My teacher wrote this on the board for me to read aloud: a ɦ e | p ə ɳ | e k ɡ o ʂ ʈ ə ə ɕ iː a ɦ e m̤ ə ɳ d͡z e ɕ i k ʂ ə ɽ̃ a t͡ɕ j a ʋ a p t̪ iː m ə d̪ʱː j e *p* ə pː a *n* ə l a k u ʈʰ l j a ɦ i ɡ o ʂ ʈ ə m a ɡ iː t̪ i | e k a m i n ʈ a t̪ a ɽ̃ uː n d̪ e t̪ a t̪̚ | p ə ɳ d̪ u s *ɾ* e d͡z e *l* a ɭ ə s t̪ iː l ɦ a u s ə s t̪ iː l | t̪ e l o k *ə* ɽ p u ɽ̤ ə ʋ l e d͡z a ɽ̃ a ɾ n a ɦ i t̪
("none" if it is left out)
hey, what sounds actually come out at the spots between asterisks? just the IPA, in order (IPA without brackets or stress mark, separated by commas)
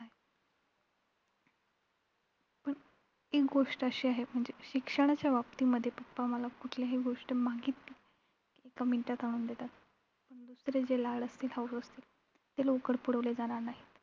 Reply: p, m, ɾ, l, ə